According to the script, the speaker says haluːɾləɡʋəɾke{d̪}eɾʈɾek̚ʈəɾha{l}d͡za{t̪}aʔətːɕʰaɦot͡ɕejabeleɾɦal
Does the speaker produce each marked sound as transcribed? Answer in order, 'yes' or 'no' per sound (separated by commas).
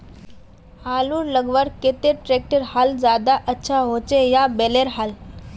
no, yes, no